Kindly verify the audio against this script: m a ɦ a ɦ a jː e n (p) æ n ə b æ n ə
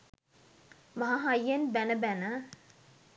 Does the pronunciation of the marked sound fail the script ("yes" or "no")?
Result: yes